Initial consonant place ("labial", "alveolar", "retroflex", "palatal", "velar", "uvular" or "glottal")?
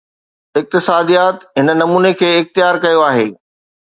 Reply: velar